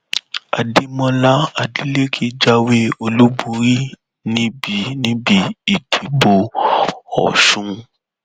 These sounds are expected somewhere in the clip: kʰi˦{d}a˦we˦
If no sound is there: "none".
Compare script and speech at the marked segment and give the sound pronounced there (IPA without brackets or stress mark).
d͡ʒ